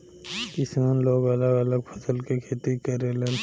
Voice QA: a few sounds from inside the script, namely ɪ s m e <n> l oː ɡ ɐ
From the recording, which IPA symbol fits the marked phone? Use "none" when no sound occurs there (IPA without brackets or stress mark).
n